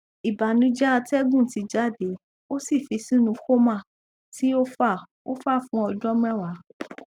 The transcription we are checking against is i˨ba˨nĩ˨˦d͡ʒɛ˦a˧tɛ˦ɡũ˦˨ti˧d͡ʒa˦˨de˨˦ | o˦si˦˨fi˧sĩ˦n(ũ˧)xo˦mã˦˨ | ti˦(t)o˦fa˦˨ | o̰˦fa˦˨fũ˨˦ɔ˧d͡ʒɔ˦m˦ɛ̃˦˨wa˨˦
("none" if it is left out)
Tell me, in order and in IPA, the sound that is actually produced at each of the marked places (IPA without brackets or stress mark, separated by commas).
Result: ũ˧, none